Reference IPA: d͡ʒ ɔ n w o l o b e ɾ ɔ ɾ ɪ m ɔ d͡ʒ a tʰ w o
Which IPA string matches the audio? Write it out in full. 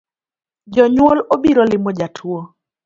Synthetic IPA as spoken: d͡ʒ ɔ ɲ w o l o b i ɾ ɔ l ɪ m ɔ d͡ʒ a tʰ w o

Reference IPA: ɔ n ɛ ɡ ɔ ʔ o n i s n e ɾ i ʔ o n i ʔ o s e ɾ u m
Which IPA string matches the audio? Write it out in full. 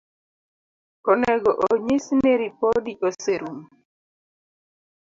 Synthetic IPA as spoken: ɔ n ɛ ɡ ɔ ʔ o ɲ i s n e ɾ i p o d i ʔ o s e ɾ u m

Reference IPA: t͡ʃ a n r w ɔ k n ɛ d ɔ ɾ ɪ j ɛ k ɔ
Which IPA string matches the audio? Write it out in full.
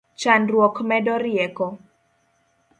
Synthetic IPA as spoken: t͡ʃ a n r w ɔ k m ɛ d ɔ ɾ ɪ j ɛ k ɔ

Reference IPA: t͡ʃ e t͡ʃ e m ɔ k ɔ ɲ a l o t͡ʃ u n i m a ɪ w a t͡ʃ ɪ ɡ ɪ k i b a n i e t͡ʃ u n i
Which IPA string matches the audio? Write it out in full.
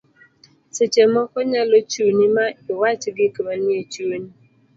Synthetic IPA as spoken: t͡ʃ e t͡ʃ e m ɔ k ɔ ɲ a l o t͡ʃ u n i m a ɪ w a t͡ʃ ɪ ɡ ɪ k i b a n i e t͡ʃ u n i

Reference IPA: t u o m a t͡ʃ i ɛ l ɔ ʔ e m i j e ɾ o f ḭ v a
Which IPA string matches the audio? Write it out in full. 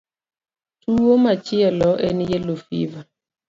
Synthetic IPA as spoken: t u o m a t͡ʃ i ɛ l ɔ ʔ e n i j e l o f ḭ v a

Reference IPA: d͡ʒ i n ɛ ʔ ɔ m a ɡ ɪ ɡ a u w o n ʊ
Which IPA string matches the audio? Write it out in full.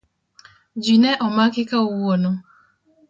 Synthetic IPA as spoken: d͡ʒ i n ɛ ʔ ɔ m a k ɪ k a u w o n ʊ

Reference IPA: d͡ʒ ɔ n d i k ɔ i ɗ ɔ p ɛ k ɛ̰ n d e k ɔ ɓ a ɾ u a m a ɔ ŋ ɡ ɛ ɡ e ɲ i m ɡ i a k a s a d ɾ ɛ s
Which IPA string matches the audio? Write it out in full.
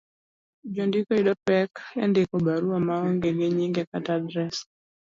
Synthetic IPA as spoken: d͡ʒ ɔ n d i k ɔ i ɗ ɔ p ɛ k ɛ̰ n d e k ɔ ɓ a ɾ u a m a ɔ ŋ ɡ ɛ ɡ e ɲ i ŋ ɡ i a k a t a d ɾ ɛ s

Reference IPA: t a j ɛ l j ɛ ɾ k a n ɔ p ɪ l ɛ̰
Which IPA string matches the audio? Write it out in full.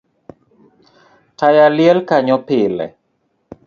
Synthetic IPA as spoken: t a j a l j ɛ l k a ɲ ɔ p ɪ l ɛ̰

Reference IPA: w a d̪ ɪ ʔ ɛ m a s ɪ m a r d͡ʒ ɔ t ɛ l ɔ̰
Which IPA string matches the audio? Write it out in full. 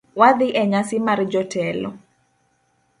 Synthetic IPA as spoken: w a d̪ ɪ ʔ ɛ ɲ a s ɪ m a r d͡ʒ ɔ t ɛ l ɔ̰

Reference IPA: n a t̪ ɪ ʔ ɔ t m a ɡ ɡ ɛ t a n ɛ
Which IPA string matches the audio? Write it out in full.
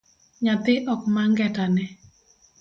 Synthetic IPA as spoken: ɲ a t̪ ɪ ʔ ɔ k m a ŋ ɡ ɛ t a n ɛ

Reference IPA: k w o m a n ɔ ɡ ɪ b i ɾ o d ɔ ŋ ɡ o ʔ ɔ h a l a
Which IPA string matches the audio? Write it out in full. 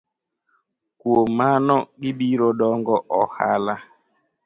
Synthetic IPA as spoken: k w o m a n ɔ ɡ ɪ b i ɾ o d ɔ ŋ ɡ ɔ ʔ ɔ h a l a

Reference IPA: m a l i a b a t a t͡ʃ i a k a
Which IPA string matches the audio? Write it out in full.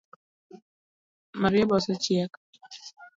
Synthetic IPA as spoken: m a ɾ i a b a s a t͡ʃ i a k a

